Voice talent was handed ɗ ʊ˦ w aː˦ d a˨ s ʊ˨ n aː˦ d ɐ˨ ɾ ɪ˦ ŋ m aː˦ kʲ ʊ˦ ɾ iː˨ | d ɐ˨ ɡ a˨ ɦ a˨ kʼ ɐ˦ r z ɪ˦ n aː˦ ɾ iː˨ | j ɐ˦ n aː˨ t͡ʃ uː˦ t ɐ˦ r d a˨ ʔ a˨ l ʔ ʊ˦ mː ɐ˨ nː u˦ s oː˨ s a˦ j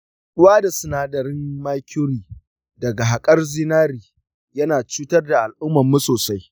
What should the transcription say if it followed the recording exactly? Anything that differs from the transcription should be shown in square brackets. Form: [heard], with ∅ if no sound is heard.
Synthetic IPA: ɗ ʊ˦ w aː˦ d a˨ s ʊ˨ n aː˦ d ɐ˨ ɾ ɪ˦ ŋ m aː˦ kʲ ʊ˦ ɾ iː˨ | d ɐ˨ ɡ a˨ ɦ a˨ kʼ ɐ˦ r z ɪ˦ n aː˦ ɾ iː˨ | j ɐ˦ n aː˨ t͡ʃ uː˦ t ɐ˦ r d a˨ ʔ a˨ l ʔ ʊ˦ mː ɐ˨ [mː] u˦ s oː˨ s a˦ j